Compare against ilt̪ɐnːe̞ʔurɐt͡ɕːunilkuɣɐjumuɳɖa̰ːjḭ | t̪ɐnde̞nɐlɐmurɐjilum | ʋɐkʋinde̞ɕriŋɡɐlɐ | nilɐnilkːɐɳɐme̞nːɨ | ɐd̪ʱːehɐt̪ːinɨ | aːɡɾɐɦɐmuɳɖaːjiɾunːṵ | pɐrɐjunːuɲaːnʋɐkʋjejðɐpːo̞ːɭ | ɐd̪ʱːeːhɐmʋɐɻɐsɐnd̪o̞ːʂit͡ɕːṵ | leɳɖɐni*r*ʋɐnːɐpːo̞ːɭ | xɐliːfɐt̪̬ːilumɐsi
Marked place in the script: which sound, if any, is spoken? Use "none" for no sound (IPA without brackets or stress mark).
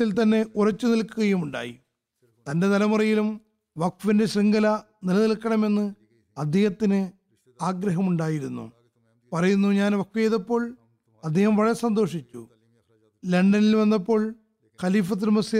l